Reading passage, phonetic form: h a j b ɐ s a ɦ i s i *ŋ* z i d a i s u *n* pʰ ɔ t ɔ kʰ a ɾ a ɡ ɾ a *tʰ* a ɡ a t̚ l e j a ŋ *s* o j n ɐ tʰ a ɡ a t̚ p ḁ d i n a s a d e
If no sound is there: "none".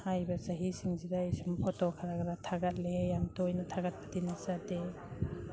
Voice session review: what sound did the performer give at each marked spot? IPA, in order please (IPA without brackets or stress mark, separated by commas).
ŋ, m, tʰ, t